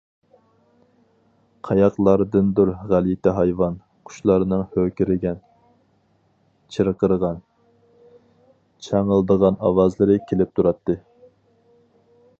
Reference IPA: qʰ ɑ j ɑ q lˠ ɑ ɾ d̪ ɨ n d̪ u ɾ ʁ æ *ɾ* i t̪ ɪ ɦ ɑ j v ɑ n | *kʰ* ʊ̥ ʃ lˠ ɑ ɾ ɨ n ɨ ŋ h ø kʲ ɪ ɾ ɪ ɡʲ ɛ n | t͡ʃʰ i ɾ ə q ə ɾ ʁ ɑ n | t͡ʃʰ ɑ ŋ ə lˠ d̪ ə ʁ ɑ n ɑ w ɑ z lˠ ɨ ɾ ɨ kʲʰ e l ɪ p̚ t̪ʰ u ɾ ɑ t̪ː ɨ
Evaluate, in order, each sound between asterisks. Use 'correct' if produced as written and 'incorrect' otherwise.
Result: incorrect, incorrect

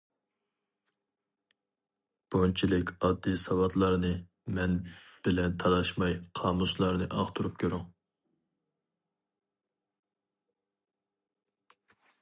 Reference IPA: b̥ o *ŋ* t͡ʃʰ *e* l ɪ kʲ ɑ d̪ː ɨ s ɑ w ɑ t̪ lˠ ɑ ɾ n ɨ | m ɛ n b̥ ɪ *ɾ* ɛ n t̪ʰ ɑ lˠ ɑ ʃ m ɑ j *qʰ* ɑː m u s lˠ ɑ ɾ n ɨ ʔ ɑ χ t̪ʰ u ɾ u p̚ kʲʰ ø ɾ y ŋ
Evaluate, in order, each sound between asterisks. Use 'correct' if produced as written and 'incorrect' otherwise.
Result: incorrect, incorrect, incorrect, correct

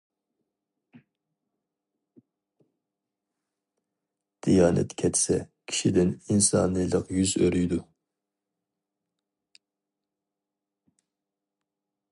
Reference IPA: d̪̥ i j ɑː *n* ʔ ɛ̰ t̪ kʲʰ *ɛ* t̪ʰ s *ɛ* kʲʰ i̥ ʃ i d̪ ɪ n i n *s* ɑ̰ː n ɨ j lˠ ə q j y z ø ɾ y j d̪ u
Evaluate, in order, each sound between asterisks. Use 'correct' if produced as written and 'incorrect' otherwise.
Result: correct, correct, correct, correct

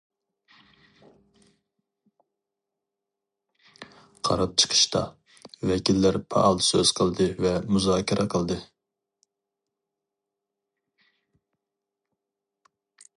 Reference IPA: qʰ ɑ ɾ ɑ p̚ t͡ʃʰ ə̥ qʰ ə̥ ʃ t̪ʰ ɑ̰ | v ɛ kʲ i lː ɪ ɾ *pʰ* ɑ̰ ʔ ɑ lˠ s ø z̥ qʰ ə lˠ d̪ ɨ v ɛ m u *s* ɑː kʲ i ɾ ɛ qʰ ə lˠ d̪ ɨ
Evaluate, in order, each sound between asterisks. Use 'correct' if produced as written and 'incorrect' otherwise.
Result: correct, incorrect

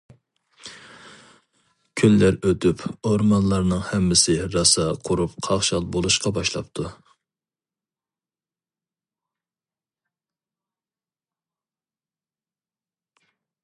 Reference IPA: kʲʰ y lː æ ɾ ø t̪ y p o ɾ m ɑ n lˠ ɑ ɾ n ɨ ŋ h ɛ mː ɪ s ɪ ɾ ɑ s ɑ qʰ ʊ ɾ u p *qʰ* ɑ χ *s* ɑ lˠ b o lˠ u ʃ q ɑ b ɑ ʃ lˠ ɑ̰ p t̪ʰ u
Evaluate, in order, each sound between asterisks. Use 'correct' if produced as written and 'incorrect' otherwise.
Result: correct, incorrect

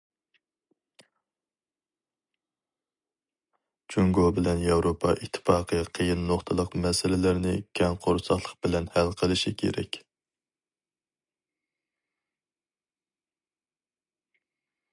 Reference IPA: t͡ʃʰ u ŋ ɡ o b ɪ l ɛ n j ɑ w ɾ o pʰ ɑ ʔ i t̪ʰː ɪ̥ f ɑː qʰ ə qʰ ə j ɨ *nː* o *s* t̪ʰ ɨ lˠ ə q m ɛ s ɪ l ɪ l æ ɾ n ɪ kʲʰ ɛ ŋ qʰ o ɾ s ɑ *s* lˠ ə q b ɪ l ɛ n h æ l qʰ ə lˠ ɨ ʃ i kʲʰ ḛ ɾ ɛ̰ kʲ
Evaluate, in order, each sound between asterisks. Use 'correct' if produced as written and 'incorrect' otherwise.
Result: correct, incorrect, incorrect

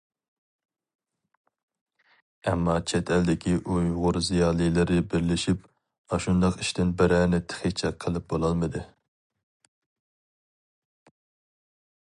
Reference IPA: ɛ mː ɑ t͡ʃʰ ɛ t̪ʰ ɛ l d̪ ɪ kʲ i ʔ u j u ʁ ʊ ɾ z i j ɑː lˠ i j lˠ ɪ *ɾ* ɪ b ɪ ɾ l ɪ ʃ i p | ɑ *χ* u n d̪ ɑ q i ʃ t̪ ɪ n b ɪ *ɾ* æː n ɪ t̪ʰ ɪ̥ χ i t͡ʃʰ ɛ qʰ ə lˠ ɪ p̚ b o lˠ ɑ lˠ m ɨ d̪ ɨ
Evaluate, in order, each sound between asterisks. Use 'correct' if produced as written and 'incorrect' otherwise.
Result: correct, incorrect, correct

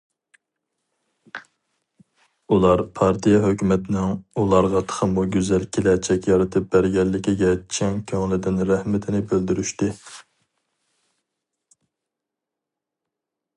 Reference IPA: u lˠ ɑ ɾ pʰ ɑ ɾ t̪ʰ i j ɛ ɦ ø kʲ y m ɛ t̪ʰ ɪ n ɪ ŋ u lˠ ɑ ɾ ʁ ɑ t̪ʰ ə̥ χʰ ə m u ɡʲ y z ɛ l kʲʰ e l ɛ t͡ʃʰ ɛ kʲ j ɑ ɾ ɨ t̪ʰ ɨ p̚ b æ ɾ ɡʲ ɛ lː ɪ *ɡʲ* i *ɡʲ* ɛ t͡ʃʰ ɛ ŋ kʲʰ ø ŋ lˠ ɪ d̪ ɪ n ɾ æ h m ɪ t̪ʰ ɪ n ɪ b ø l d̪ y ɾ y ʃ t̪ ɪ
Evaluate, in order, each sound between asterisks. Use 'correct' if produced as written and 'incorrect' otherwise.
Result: incorrect, correct

